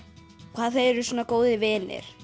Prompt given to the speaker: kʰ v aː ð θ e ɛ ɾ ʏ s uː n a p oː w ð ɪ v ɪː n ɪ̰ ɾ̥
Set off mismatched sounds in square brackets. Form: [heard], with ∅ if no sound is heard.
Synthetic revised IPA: kʰ v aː ð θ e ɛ ɾ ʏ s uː n a [k] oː w ð ɪ v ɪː n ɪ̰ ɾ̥